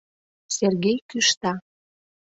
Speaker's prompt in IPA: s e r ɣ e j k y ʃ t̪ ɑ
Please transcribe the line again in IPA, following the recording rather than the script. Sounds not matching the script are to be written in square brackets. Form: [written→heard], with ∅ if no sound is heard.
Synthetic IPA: s e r ɣ e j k y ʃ t̪ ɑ

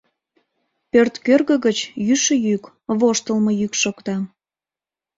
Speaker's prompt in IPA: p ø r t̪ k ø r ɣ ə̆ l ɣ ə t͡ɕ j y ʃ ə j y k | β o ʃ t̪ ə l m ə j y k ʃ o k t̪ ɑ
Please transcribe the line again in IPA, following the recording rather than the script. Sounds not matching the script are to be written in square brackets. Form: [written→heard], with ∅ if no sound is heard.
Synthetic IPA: p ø r t̪ k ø r ɣ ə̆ [l→∅] ɣ ə t͡ɕ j y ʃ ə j y k | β o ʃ t̪ ə l m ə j y k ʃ o k t̪ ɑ

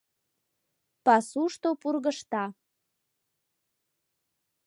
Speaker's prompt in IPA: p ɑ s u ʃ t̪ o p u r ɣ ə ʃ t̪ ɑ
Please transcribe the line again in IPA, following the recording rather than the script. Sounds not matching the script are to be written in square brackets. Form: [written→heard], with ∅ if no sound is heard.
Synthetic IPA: p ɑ s u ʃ t̪ o p u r ɣ ə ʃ t̪ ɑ

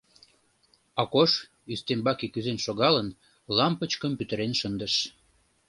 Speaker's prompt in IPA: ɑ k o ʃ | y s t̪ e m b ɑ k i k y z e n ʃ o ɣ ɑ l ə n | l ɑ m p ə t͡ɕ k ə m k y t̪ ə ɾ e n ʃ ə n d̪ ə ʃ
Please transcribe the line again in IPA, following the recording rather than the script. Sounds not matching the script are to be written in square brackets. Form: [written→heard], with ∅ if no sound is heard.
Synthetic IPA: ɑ k o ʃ | y s t̪ e m b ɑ k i k y z e n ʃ o ɣ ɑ l ə n | l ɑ m p ə t͡ɕ k ə m [k→p] y t̪ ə ɾ e n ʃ ə n d̪ ə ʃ

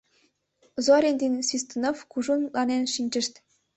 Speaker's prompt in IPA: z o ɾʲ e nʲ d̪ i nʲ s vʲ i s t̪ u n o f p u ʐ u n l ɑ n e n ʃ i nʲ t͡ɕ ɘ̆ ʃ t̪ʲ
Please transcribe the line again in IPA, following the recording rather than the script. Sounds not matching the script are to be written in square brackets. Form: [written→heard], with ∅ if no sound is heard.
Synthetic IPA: z o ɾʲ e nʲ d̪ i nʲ s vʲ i s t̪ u n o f [p→k] u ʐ u n l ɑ n e n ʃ i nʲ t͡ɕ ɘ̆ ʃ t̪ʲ

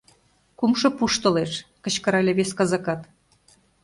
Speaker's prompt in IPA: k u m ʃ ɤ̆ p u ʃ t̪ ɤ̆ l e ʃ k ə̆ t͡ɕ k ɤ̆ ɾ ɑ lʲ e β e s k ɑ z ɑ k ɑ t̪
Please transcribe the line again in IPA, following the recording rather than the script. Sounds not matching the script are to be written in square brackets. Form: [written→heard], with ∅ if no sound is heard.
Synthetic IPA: k u m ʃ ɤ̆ p u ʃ t̪ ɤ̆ l e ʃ k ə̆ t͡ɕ k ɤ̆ ɾ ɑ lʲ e β e s k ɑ z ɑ k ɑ t̪

